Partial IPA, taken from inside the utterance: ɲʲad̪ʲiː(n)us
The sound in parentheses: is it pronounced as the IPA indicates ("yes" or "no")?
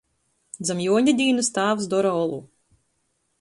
yes